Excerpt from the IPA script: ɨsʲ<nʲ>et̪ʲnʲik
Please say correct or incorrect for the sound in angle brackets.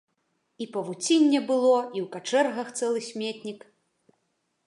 incorrect